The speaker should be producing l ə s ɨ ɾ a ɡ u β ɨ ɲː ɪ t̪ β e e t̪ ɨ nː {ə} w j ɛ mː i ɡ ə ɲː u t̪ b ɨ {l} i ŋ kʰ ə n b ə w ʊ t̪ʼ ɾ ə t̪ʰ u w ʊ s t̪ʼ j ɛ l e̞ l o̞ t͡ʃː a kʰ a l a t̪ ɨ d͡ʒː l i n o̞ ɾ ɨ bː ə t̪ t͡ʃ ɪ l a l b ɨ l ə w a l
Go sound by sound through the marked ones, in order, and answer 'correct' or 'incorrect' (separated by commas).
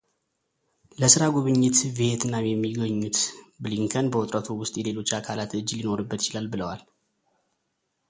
incorrect, correct